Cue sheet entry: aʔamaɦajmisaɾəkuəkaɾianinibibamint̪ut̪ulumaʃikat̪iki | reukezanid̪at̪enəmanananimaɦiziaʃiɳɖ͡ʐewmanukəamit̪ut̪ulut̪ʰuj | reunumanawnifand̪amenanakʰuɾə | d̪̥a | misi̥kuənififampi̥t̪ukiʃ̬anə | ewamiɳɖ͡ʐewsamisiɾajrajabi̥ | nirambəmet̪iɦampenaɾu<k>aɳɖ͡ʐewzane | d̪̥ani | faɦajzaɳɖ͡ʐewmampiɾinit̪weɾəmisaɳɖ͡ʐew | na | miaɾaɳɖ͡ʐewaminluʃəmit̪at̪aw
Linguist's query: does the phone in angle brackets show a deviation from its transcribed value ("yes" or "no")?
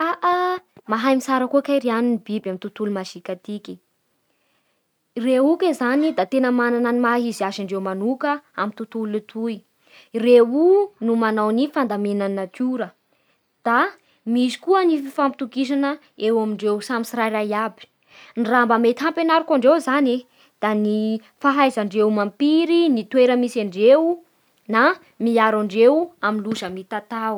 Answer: no